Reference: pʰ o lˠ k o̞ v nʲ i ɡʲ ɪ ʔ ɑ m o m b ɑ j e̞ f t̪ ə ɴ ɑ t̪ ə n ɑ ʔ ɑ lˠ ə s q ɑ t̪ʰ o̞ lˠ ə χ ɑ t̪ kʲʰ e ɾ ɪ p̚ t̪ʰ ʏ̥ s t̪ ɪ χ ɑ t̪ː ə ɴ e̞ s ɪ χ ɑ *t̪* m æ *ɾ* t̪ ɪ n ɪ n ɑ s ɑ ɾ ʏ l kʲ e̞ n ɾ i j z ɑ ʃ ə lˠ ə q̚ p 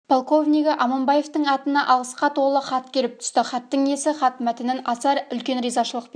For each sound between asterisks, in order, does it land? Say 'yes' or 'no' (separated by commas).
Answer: yes, no